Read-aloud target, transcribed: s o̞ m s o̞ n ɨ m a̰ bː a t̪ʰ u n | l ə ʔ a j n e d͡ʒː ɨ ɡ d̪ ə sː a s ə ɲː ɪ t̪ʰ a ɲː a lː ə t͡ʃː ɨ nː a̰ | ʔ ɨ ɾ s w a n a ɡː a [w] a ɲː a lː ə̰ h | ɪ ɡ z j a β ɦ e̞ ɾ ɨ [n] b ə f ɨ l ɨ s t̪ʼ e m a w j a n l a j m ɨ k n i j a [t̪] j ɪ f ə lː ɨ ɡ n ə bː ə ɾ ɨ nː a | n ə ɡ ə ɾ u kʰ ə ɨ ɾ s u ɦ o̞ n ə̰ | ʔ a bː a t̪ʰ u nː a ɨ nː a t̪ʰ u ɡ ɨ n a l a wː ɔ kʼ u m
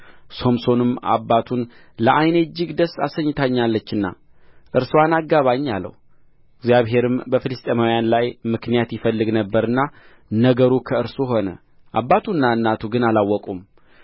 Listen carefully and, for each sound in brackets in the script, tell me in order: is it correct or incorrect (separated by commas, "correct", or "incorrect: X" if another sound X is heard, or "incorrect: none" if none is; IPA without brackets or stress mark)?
incorrect: β, incorrect: m, correct